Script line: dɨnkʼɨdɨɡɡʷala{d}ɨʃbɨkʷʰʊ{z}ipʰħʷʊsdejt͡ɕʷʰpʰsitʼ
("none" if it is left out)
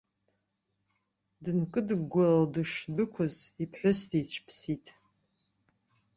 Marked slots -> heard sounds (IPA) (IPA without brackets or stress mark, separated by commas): d, z